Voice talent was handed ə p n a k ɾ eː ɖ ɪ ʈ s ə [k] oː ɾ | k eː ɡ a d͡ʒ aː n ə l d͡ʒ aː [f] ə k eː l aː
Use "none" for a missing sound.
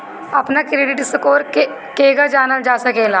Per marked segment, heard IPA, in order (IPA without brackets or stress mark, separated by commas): k, s